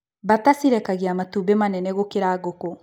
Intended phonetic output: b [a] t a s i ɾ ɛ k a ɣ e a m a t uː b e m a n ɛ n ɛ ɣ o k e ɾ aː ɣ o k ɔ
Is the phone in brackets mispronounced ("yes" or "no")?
no